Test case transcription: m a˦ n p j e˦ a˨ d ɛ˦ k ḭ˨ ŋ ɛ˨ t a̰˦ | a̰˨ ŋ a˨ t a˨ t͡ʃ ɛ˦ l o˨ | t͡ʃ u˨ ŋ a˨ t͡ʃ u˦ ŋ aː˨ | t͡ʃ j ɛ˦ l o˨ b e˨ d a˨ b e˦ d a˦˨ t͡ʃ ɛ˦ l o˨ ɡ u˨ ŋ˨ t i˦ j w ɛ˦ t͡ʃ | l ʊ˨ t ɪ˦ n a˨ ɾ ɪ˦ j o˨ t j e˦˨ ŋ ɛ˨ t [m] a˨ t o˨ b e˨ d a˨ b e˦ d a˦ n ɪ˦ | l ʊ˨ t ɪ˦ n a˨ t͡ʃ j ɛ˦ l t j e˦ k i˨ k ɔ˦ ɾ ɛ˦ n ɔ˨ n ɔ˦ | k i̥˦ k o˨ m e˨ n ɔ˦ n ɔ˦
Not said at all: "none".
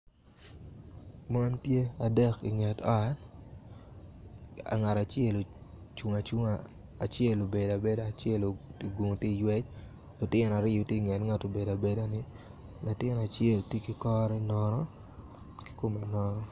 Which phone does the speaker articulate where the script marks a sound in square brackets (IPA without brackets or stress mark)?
ŋ